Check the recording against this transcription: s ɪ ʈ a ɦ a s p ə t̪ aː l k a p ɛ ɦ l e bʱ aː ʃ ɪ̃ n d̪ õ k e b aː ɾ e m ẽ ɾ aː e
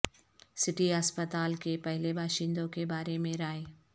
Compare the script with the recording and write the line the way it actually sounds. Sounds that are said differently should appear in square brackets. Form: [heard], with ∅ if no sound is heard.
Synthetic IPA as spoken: s ɪ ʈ [i] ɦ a s p ə t̪ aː l k [e] p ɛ ɦ l e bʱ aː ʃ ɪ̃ n d̪ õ k e b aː ɾ e m ẽ ɾ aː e